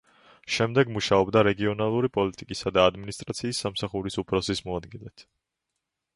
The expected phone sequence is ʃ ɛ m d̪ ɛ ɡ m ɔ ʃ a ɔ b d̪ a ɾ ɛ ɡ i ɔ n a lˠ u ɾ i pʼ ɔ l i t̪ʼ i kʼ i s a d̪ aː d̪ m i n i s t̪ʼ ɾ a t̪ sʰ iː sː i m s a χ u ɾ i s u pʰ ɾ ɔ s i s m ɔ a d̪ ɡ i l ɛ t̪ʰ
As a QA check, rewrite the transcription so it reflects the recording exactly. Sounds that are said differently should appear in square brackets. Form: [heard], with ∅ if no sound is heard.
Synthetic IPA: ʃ ɛ m d̪ ɛ ɡ m [u] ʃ a ɔ b d̪ a ɾ ɛ ɡ i ɔ n a lˠ u ɾ i pʼ ɔ l i t̪ʼ i kʼ i s a d̪ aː d̪ m i n i s t̪ʼ ɾ a t̪ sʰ iː sː [a] m s a χ u ɾ i s u pʰ ɾ ɔ s i s m ɔ a d̪ ɡ i l ɛ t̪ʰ